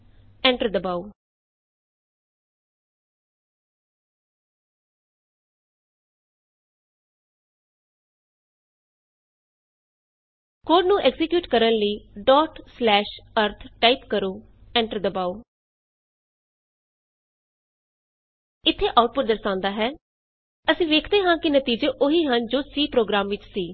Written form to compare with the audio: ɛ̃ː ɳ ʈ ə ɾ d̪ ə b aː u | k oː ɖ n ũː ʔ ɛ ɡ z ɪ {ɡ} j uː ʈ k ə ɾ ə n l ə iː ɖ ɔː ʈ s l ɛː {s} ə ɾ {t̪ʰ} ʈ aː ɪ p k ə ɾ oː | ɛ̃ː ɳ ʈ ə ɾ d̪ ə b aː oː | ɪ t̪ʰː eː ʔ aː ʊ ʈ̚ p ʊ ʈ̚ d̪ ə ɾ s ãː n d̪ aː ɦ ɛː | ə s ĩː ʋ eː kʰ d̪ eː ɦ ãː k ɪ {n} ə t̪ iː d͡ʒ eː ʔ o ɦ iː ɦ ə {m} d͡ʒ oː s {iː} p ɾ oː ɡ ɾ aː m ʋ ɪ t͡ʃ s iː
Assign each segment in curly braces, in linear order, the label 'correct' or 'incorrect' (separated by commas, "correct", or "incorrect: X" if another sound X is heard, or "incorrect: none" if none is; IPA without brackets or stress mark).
incorrect: k, incorrect: ʃ, correct, correct, incorrect: n, correct